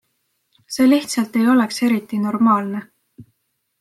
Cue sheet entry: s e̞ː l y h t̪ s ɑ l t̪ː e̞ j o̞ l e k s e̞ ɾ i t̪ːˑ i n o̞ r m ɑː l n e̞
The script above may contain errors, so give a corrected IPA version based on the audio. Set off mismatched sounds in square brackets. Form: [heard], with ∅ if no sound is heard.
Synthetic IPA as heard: s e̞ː l [i] h t̪ s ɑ l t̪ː e̞ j o̞ l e k s e̞ ɾ i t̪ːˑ i n o̞ r m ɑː l n e̞